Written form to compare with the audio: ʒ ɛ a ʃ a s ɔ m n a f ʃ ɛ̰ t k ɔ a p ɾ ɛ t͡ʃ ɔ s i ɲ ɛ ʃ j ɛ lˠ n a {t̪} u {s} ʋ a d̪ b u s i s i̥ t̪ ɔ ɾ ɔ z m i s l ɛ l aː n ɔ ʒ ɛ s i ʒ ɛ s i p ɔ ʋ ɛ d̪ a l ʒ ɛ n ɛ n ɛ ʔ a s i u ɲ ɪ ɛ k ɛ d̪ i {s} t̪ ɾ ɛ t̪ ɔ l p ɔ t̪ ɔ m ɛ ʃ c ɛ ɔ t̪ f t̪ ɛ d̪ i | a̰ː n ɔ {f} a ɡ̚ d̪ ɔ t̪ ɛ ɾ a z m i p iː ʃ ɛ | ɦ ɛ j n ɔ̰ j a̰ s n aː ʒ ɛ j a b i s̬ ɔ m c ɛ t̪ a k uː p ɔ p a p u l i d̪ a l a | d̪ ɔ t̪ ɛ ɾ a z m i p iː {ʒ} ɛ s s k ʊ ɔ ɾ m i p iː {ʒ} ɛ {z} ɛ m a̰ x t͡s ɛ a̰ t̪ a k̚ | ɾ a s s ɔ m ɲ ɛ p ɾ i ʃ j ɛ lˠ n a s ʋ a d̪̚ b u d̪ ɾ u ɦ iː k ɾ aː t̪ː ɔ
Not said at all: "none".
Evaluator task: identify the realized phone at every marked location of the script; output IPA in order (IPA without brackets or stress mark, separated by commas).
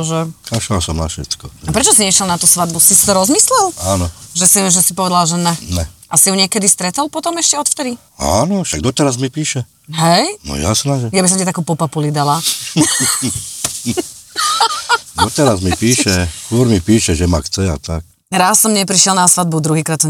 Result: t̪, s, s, ʃ, ʃ, ʃ, ʒ